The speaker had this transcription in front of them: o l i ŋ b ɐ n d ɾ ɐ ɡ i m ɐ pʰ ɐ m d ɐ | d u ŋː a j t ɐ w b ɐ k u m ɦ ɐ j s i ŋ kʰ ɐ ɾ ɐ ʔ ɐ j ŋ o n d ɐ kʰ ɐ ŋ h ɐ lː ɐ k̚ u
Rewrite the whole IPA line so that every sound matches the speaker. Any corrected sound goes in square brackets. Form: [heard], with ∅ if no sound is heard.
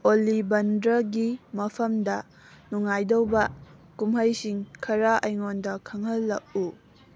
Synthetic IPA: o l i [∅] b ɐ n d ɾ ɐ ɡ i m ɐ pʰ ɐ m d ɐ | [n] u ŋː a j [d] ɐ w b ɐ k u m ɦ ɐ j s i ŋ kʰ ɐ ɾ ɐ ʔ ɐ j ŋ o n d ɐ kʰ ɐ ŋ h ɐ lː ɐ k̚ u